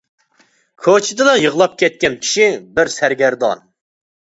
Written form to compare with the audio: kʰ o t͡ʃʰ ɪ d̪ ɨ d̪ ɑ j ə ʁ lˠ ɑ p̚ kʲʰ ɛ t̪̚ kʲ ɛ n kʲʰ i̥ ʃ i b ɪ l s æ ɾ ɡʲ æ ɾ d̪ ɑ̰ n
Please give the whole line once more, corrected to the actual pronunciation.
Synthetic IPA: kʰ o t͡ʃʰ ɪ d̪ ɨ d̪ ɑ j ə ʁ lˠ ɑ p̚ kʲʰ ɛ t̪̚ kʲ ɛ n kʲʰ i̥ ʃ i b ɪ ɾ s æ ɾ ɡʲ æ ɾ d̪ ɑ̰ n